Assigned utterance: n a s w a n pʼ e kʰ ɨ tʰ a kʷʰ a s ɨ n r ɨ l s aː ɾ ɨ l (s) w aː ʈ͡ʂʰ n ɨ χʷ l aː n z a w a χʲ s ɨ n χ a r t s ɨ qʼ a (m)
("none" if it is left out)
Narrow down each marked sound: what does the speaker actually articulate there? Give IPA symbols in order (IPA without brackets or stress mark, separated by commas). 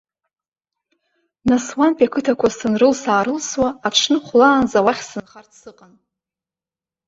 s, n